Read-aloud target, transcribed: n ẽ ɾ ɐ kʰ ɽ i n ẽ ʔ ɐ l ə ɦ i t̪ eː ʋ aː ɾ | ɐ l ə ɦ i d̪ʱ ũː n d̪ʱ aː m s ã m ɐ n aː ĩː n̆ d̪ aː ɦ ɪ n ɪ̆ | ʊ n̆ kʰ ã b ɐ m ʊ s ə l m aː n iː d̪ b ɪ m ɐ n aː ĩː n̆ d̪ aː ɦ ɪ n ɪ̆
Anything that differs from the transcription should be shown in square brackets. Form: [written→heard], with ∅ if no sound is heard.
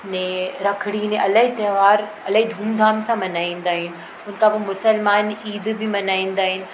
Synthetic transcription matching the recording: n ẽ ɾ ɐ kʰ ɽ i n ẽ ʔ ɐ l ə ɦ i t̪ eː ʋ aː ɾ | ɐ l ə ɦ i d̪ʱ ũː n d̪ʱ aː m s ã m ɐ n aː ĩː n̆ d̪ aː ɦ ɪ n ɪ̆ | ʊ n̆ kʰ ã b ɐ m ʊ s ə l m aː n iː d̪ b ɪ m ɐ n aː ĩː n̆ d̪ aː ɦ ɪ n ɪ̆